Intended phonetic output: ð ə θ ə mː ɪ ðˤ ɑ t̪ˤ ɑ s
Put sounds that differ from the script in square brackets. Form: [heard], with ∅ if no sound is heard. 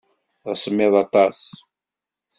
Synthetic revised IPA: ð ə [s] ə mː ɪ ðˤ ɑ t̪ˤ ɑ s